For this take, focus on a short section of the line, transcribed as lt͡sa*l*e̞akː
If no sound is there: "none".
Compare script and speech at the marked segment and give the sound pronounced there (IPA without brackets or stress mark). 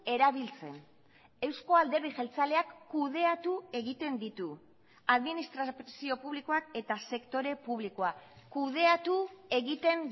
l